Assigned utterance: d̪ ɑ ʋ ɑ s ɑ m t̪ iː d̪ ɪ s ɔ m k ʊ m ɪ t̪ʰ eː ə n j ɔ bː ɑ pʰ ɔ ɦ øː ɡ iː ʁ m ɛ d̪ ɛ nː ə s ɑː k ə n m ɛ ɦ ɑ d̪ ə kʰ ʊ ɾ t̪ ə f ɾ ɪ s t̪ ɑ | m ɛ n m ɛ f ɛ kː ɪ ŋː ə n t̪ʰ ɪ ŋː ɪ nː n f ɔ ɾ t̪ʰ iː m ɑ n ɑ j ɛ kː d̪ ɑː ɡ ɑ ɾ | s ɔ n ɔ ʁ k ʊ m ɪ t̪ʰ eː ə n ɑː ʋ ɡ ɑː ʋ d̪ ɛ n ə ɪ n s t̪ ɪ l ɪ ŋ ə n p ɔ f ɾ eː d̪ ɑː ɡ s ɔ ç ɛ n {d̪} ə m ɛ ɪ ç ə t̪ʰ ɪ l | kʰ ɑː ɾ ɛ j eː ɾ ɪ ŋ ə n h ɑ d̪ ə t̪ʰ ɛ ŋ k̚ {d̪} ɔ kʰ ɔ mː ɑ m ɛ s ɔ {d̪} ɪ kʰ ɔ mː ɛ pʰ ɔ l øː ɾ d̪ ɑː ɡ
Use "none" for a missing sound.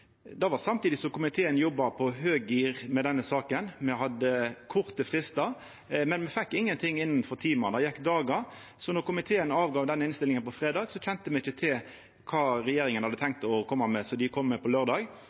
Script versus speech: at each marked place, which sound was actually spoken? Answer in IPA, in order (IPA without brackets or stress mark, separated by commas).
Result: t̪, t̪, d̪